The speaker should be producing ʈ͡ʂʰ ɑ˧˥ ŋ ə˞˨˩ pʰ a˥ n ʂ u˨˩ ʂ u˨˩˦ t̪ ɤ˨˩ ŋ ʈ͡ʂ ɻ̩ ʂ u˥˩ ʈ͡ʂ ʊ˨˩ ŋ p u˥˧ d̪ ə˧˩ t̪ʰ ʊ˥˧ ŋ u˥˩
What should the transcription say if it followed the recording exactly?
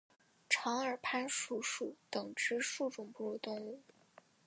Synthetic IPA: ʈ͡ʂʰ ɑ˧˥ ŋ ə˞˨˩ pʰ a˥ n ʂ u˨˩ ʂ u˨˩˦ t̪ ɤ˨˩ ŋ ʈ͡ʂ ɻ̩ ʂ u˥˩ ʈ͡ʂ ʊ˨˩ ŋ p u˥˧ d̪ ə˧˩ t̪ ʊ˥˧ ŋ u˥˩

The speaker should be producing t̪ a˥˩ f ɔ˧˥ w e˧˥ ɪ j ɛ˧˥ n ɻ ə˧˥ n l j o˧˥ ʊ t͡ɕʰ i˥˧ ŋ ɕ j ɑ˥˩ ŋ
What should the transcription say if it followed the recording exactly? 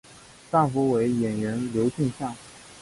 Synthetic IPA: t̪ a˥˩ f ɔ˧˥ w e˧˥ ɪ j ɛ˨˩ n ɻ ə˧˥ n l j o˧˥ ʊ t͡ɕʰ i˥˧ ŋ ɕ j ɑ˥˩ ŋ

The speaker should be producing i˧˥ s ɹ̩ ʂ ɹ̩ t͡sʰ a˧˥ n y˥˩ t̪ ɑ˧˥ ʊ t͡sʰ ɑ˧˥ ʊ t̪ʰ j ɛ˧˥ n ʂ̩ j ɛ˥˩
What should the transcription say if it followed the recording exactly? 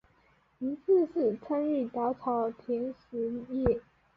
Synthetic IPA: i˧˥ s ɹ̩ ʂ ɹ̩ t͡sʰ a˥ n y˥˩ t̪ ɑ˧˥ ʊ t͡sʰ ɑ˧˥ ʊ t̪ʰ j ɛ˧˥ n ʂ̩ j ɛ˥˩

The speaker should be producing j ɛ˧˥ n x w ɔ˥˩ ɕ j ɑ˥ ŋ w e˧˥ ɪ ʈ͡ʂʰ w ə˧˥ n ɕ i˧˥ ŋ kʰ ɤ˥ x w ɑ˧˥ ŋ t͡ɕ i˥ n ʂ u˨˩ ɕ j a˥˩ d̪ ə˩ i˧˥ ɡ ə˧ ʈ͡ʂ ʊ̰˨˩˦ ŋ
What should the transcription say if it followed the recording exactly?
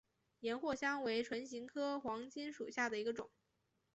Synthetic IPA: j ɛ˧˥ n x w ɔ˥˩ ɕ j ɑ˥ ŋ w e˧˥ ɪ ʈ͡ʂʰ w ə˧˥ n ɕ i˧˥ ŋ kʰ ɤ˥ x w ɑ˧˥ ŋ t͡ɕ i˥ n ʂ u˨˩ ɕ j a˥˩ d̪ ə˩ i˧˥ ɡ ə˧ ʈ͡ʂ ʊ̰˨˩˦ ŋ

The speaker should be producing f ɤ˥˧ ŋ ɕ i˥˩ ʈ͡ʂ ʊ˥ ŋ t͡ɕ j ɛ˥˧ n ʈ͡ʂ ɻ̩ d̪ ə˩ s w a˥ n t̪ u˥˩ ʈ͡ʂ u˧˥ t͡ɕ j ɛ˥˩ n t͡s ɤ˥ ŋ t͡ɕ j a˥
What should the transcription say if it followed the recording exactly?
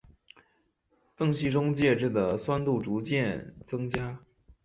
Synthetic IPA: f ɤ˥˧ ŋ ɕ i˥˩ ʈ͡ʂ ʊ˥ ŋ t͡ɕ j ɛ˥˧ ʈ͡ʂ ɻ̩ d̪ ə˩ s w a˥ n t̪ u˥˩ ʈ͡ʂ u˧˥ t͡ɕ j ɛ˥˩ n t͡s ɤ˥ ŋ t͡ɕ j a˥

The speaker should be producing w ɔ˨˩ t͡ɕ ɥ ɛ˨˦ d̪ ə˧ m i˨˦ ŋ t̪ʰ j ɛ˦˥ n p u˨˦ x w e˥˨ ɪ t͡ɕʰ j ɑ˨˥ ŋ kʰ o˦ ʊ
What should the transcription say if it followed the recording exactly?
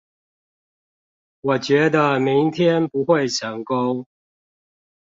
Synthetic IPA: w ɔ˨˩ t͡ɕ ɥ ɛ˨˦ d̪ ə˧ m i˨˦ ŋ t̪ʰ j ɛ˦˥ n p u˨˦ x w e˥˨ ɪ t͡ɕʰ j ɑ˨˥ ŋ k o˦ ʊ

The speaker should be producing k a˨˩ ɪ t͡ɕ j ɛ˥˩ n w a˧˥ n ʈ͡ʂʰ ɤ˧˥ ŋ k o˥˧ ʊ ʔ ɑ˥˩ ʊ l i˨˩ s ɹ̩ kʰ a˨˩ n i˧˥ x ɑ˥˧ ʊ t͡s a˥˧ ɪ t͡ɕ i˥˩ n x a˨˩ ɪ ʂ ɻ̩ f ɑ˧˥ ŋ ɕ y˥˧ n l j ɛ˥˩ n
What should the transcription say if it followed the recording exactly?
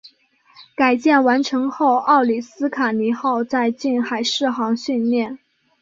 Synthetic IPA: k a˨˩ ɪ t͡ɕ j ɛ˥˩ n w a˧˥ n ʈ͡ʂʰ ɤ˧˥ ŋ x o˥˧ ʊ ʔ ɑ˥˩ ʊ l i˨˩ s ɹ̩ kʰ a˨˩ n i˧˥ x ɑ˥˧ ʊ t͡s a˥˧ ɪ t͡ɕ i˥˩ n x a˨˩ ɪ ʂ ɻ̩ x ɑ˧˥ ŋ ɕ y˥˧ n l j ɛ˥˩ n

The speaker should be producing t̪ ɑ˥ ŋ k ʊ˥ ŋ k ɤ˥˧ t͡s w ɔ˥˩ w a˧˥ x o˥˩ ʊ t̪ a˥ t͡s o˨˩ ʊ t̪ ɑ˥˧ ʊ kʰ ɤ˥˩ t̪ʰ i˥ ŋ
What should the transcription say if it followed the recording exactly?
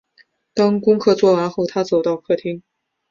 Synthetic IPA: t̪ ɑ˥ ŋ k ʊ˥ ŋ kʰ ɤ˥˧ t͡s w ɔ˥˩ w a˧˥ x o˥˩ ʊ t̪ʰ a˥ t͡s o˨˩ ʊ t̪ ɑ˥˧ ʊ kʰ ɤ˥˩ t̪ʰ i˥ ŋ

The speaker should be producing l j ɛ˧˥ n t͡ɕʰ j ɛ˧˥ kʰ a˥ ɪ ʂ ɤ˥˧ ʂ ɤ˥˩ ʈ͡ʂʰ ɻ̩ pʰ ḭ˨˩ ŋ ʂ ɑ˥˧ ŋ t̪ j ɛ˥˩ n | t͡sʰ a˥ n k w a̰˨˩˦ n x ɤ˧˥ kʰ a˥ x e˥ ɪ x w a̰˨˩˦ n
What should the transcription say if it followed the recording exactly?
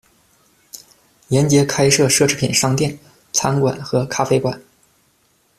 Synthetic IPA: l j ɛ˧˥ n t͡ɕ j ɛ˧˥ kʰ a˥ ɪ ʂ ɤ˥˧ ʂ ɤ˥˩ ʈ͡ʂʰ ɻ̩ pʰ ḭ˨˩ n ʂ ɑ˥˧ ŋ t̪ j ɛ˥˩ n | t͡sʰ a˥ n k w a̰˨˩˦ n x ɤ˧˥ kʰ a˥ f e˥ ɪ k w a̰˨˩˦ n

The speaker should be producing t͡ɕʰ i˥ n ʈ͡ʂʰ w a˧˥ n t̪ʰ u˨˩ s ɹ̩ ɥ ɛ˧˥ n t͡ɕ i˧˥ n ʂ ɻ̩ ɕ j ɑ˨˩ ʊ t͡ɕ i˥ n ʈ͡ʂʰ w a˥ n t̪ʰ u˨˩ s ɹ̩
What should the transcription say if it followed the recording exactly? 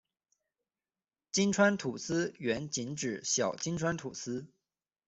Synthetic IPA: t͡ɕ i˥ n ʈ͡ʂʰ w a˥ n t̪ʰ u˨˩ s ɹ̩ ɥ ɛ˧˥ n t͡ɕ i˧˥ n ʈ͡ʂ ɻ̩ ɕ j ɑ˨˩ ʊ t͡ɕ i˥ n ʈ͡ʂʰ w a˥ n t̪ʰ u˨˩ s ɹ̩

